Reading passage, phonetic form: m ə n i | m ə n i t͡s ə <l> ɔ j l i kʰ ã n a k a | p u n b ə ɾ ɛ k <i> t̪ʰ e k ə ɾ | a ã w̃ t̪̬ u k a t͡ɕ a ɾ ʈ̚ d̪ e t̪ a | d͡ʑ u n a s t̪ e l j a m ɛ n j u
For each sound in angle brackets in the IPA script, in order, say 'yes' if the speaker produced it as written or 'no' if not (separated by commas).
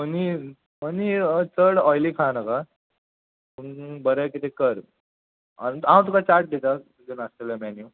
no, yes